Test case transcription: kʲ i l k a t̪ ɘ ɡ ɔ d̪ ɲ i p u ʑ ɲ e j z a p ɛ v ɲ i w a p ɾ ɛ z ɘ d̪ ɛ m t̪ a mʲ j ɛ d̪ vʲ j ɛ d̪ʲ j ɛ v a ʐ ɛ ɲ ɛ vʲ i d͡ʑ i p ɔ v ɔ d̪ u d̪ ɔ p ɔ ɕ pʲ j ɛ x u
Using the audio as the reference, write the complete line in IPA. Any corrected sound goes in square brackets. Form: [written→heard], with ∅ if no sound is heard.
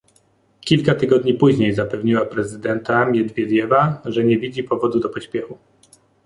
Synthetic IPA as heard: kʲ i l k a t̪ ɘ ɡ ɔ d̪ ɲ i p u ʑ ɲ e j z a p ɛ v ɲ i w a p ɾ ɛ z ɘ d̪ ɛ [m→n] t̪ a mʲ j ɛ d̪ vʲ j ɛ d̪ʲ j ɛ v a ʐ ɛ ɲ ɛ vʲ i d͡ʑ i p ɔ v ɔ d̪ u d̪ ɔ p ɔ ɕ pʲ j ɛ x u